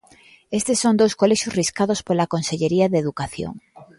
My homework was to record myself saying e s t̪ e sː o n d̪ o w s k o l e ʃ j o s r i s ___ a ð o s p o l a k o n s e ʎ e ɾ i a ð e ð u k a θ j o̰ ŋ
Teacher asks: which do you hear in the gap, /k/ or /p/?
k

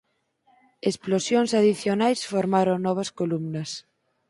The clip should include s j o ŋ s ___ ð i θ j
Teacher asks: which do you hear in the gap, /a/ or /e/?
a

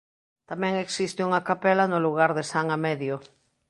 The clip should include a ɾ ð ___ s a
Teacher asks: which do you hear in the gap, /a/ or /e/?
e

